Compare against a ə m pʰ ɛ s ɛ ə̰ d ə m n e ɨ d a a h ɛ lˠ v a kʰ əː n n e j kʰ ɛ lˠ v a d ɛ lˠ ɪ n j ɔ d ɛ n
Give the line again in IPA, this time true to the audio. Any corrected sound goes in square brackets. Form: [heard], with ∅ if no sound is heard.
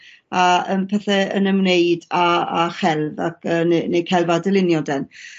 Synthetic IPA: a ə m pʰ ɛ [θ] ɛ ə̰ [n] ə m n e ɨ d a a [χ] ɛ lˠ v a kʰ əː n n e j kʰ ɛ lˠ v a d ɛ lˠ ɪ n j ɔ d ɛ n